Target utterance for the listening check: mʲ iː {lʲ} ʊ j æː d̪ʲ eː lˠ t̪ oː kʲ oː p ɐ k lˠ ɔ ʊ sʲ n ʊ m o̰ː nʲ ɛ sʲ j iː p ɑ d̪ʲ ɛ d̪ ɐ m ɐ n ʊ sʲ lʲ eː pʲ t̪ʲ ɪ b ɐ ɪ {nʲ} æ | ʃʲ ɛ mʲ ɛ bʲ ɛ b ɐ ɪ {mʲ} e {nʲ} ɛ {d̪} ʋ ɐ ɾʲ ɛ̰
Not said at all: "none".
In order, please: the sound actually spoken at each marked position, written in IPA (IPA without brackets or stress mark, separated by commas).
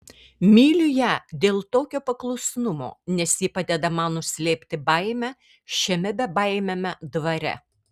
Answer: lʲ, mʲ, mʲ, mʲ, d̪